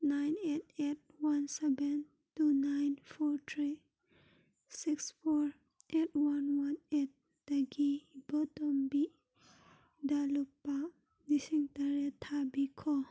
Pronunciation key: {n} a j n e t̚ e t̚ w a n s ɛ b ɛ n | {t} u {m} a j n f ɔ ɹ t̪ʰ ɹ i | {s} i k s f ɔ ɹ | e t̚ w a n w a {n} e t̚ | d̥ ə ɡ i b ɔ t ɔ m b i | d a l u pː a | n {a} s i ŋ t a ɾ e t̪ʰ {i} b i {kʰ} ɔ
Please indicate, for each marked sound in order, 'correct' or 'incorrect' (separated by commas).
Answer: correct, correct, incorrect, correct, correct, incorrect, incorrect, correct